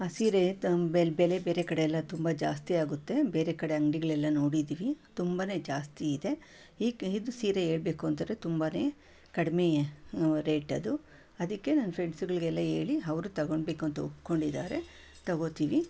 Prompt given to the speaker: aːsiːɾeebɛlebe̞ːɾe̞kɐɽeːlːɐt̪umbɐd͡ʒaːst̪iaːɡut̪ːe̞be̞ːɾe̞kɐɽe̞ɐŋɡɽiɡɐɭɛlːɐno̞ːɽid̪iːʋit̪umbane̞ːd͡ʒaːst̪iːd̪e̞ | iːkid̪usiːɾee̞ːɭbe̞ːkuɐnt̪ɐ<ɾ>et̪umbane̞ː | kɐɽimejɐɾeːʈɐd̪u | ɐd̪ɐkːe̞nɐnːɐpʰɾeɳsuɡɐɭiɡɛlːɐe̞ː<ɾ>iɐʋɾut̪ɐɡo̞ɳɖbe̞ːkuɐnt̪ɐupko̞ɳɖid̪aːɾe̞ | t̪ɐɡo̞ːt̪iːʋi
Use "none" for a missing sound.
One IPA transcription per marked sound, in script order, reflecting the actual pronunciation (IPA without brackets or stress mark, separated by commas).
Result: ɾ, ɭ